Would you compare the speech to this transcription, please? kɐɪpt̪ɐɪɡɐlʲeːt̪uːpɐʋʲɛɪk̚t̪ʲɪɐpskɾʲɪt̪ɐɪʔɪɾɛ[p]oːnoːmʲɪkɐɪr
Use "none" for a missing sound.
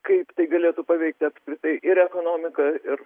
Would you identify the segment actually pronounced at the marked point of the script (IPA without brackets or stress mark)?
k